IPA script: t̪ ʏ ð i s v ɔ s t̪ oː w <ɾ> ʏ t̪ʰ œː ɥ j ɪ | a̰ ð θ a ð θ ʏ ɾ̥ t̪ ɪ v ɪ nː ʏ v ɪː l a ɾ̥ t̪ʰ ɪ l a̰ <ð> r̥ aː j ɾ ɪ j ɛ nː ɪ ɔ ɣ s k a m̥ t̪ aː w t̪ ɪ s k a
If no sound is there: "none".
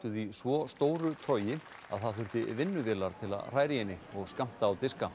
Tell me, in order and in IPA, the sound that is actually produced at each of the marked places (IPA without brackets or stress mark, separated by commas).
ɾ, ð